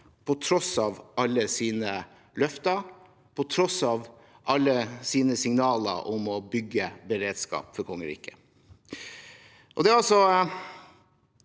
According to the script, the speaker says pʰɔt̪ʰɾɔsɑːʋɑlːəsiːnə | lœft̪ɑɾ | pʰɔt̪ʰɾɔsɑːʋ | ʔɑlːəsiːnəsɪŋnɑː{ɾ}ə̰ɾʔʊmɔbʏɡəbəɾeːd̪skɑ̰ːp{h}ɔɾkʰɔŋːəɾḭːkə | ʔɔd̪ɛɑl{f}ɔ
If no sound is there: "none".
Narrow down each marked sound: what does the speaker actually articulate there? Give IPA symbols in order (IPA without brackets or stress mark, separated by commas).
l, f, s